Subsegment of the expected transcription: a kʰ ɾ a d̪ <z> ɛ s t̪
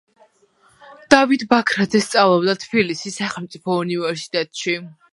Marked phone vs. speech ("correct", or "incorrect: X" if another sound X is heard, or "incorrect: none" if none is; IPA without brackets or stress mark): correct